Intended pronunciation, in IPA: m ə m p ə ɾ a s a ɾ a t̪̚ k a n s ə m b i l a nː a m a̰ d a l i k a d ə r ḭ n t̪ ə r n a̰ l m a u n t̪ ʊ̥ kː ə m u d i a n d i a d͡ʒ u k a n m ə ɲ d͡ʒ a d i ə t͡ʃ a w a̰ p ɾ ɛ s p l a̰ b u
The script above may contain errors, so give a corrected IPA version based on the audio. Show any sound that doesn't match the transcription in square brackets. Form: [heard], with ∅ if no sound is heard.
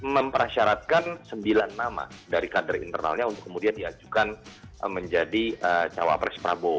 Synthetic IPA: m ə m p ə ɾ a [ʃ] a ɾ a t̪̚ k a n s ə m b i l a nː a m a̰ d a [ɾ] i k a d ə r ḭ n t̪ ə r n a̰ l [ɲ] a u n t̪ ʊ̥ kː ə m u d i a n d i a d͡ʒ u k a n m ə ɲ d͡ʒ a d i ə t͡ʃ a w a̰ p ɾ ɛ s p [ɾ] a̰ b [o]